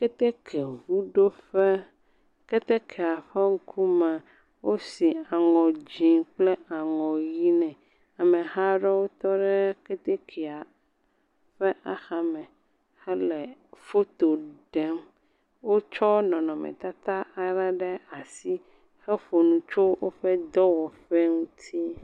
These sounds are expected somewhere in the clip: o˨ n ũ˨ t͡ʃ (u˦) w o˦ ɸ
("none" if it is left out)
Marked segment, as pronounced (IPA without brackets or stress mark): o˦